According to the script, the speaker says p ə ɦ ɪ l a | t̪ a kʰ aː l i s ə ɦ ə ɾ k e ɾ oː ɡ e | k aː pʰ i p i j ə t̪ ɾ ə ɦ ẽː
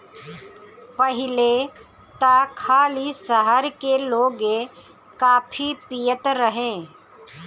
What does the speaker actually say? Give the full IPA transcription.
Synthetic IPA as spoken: p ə ɦ ɪ l e | t̪ a kʰ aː l i s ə ɦ ə ɾ k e l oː ɡ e | k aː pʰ i p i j ə t̪ ɾ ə ɦ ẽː